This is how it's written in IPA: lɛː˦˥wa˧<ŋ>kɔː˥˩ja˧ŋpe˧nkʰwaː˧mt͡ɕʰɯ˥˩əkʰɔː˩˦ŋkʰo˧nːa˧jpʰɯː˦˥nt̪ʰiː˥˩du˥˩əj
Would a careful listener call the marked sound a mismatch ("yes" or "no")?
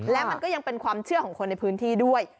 yes